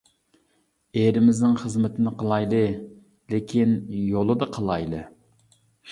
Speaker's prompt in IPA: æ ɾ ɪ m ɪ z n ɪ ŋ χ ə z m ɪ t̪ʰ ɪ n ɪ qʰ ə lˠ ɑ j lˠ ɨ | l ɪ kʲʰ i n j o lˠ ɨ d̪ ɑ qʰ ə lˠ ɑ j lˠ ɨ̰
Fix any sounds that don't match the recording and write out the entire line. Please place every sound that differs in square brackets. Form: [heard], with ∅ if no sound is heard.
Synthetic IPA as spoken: [e] ɾ ɪ m ɪ z n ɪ ŋ χ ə z m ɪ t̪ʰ ɪ n ɪ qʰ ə lˠ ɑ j lˠ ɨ | l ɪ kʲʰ i n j o lˠ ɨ d̪ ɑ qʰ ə lˠ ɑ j lˠ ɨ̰